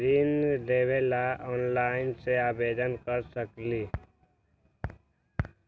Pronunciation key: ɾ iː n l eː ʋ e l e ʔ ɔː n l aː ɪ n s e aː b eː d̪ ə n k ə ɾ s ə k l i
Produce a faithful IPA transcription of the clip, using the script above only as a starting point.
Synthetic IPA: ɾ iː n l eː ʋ e l a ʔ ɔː n l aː ɪ n s e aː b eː d̪ ə n k ə ɾ s ə k l i